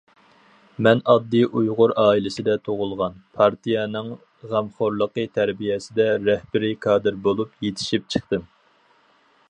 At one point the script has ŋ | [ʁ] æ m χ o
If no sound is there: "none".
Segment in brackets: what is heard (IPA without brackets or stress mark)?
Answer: ʁ